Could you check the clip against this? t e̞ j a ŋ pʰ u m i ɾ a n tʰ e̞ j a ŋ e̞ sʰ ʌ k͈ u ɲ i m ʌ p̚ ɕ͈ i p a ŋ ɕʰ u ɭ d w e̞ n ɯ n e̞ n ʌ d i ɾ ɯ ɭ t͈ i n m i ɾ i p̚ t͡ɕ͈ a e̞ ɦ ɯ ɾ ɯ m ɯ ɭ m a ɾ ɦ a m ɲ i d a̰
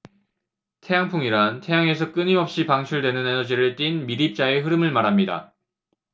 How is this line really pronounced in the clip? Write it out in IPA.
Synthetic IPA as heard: tʰ e̞ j a ŋ pʰ u ŋ i ɾ a n tʰ e̞ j a ŋ e̞ sʰ ʌ k͈ ɯ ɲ i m ʌ p̚ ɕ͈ i p a ŋ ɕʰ u ɭ d w e̞ n ɯ n e̞ n ʌ d͡ʑ i ɾ ɯ ɭ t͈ i n m i ɾ i p̚ t͡ɕ͈ a e̞ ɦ ɯ ɾ ɯ m ɯ ɭ m a ɾ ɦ a m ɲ i d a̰

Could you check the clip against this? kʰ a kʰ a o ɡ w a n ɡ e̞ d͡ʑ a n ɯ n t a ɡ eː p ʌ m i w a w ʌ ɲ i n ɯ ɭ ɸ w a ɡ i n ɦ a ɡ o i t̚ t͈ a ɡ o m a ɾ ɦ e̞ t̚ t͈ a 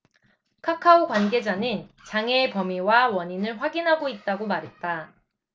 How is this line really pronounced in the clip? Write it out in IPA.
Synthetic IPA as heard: kʰ a kʰ a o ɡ w a n ɡ e̞ d͡ʑ a n ɯ n t͡ɕ a ŋ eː p ʌ m i w a w ʌ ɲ i n ɯ ɭ ɸ w a ɡ i n ɦ a ɡ o i t̚ t͈ a ɡ o m a ɾ ɦ e̞ t̚ t͈ a

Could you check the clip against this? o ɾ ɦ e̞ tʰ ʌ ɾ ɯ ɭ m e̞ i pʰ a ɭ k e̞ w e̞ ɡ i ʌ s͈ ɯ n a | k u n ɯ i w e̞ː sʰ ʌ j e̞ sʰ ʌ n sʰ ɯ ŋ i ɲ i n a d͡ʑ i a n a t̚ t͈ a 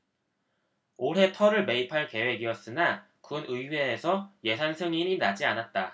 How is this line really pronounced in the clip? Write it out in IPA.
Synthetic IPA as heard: o ɾ ɦ e̞ tʰ ʌ ɾ ɯ ɭ m e̞ i pʰ a ɭ k e̞ w e̞ ɡ i ʌ s͈ ɯ n a | k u n ɯ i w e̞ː sʰ ʌ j e̞ sʰ a n sʰ ɯ ŋ i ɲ i n a d͡ʑ i a n a t̚ t͈ a

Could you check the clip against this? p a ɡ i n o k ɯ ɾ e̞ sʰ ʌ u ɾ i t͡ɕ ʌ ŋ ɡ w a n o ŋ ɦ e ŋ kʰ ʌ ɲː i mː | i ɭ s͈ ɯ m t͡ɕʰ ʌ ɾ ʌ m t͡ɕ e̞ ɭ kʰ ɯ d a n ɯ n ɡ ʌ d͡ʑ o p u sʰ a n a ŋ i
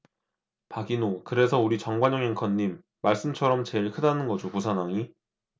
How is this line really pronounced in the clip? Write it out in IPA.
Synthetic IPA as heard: p a ɡ i n o k ɯ ɾ e̞ sʰ ʌ u ɾ i t͡ɕ ʌ ŋ ɡ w a ɲ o ŋ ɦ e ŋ kʰ ʌ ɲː i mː | a ɭ s͈ ɯ m t͡ɕʰ ʌ ɾ ʌ m t͡ɕ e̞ ɭ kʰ ɯ d a n ɯ n ɡ ʌ d͡ʑ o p u sʰ a n a ŋ i

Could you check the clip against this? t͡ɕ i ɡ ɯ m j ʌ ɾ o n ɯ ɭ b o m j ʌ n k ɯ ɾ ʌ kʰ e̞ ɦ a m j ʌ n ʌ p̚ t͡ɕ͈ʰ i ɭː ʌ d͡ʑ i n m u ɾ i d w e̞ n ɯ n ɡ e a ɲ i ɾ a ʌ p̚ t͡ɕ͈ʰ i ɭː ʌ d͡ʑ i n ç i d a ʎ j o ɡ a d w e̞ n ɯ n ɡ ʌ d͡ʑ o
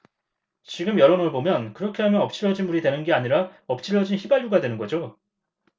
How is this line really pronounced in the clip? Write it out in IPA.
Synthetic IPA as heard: t͡ɕ i ɡ ɯ m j ʌ ɾ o n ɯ ɭ b o m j ʌ n k ɯ ɾ ʌ kʰ e̞ ɦ a m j ʌ n ʌ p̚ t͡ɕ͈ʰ i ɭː ʌ d͡ʑ i n m u ɾ i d w e̞ n ɯ n ɡ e a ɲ i ɾ a ʌ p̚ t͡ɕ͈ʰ i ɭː ʌ d͡ʑ i n ç i b a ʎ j u ɡ a d w e̞ n ɯ n ɡ ʌ d͡ʑ o

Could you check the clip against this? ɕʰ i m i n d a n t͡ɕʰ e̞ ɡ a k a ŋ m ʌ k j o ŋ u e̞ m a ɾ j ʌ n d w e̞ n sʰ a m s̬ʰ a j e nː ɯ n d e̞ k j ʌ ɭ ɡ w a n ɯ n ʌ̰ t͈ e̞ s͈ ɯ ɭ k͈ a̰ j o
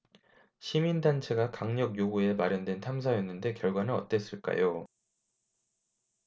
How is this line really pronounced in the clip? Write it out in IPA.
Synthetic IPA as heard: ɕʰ i m i n d a n t͡ɕʰ e̞ ɡ a k a ŋ ɲ ʌ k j o ɡ u e̞ m a ɾ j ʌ n d w e̞ n tʰ a m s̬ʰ a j e nː ɯ n d e̞ k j ʌ ɭ ɡ w a n ɯ n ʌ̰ t͈ e̞ s͈ ɯ ɭ k͈ a̰ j o

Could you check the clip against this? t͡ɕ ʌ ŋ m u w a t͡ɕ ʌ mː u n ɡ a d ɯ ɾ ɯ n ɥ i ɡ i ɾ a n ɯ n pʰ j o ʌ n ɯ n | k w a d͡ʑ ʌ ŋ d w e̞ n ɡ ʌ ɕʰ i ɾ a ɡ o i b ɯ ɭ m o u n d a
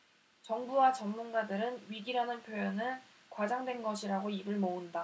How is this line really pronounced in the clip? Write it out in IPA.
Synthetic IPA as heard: t͡ɕ ʌ ŋ b u w a t͡ɕ ʌ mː u n ɡ a d ɯ ɾ ɯ n ɥ i ɡ i ɾ a n ɯ n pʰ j o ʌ n ɯ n | k w a d͡ʑ a ŋ d w e̞ n ɡ ʌ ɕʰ i ɾ a ɡ o i b ɯ ɭ m o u n d a

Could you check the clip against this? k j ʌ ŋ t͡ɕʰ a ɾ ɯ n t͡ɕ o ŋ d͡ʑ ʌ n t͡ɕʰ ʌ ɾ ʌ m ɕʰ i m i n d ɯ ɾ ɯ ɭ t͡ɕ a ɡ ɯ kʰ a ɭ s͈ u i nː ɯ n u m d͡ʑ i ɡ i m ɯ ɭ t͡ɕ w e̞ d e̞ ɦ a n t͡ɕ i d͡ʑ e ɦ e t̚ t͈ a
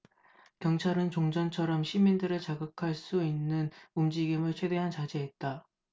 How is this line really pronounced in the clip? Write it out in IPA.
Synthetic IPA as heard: k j ʌ ŋ t͡ɕʰ a ɾ ɯ n t͡ɕ o ŋ d͡ʑ ʌ n t͡ɕʰ ʌ ɾ ʌ m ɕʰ i m i n d ɯ ɾ ɯ ɭ t͡ɕ a ɡ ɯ kʰ a ɭ s͈ u i nː ɯ n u m d͡ʑ i ɡ i m ɯ ɭ t͡ɕʰ w e̞ d e̞ ɦ a n t͡ɕ a d͡ʑ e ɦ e t̚ t͈ a

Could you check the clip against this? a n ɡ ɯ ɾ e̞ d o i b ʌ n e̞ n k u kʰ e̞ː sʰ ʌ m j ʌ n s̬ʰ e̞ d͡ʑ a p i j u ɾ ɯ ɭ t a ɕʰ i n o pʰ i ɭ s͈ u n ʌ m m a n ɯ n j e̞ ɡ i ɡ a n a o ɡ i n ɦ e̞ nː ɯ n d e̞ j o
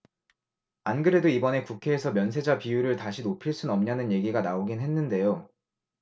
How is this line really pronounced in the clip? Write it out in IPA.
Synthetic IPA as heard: a n ɡ ɯ ɾ e̞ d o i b ʌ n e̞ k u kʰ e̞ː sʰ ʌ m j ʌ n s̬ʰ e̞ d͡ʑ a p i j u ɾ ɯ ɭ t a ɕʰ i n o pʰ i ɭ s͈ u n ʌ m ɲ a n ɯ n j e̞ ɡ i ɡ a n a o ɡ i n ɦ e̞ nː ɯ n d e̞ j o

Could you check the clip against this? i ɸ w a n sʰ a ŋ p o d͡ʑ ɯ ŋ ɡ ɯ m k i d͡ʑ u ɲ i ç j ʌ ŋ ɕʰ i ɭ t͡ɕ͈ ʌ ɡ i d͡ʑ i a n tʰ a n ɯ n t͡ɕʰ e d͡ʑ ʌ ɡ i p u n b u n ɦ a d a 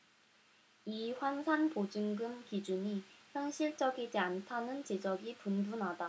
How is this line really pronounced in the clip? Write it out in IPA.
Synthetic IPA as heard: i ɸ w a n sʰ a n p o d͡ʑ ɯ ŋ ɡ ɯ m k i d͡ʑ u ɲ i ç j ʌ ŋ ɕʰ i ɭ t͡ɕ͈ ʌ ɡ i d͡ʑ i a n tʰ a n ɯ n t͡ɕ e d͡ʑ ʌ ɡ i p u n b u n ɦ a d a

